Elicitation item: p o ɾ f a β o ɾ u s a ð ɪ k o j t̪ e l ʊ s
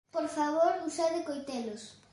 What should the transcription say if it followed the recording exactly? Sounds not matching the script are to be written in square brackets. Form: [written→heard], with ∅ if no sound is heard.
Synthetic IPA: p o ɾ f a β o ɾ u s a ð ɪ k o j t̪ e l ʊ s